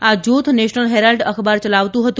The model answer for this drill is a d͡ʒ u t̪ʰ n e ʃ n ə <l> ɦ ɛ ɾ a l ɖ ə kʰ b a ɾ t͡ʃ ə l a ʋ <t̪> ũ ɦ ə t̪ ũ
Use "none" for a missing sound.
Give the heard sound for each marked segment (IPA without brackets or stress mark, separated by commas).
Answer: l, t̪